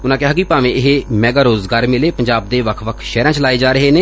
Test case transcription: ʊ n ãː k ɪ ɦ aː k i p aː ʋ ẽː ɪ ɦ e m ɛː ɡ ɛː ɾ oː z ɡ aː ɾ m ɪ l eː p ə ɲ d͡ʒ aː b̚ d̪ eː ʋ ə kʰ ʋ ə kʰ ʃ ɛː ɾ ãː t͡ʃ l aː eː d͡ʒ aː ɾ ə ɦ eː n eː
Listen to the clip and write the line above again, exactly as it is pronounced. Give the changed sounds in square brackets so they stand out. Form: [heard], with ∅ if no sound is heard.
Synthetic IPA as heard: ʊ n ãː k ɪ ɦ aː k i p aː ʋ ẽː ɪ ɦ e m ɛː ɡ [aː] ɾ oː z ɡ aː ɾ m ɪ l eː p ə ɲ d͡ʒ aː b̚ d̪ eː ʋ ə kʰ ʋ ə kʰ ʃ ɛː ɾ ãː t͡ʃ l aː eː d͡ʒ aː ɾ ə ɦ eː n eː